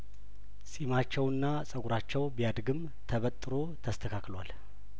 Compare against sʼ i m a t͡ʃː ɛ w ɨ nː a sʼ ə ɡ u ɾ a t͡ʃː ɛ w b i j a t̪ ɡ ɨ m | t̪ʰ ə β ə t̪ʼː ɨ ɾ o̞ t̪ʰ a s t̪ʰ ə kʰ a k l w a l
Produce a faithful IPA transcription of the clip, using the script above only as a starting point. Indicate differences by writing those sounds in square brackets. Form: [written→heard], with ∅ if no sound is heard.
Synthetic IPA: sʼ i m a t͡ʃː ɛ w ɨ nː a sʼ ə ɡ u ɾ a t͡ʃː ɛ w b i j a [t̪→d̪] ɡ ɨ m | t̪ʰ ə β ə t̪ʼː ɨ ɾ o̞ t̪ʰ [a→ə] s t̪ʰ ə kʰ a k l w a l